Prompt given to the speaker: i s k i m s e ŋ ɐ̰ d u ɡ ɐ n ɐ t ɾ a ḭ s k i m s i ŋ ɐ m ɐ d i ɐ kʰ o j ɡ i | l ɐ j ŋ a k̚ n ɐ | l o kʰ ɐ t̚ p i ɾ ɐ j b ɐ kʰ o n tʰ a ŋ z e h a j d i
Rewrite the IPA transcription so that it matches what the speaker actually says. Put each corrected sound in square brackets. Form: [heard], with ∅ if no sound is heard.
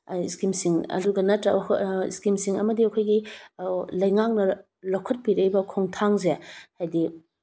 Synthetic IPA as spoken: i s k i m s [i] ŋ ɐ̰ d u ɡ ɐ n ɐ t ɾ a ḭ s k i m s i ŋ ɐ m ɐ d i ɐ kʰ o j ɡ i | l ɐ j ŋ a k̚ n ɐ | l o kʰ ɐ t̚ p i ɾ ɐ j b ɐ kʰ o [ŋ] tʰ a ŋ z e h a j d i